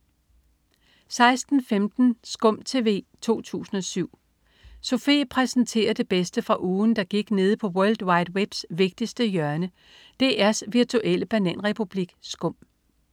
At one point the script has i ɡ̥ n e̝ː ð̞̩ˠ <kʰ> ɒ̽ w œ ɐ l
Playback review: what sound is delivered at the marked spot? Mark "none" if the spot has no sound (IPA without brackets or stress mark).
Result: pʰ